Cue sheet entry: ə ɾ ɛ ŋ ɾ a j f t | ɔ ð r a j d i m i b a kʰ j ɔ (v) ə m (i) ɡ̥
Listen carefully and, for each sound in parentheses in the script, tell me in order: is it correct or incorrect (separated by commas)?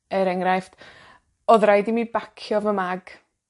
correct, incorrect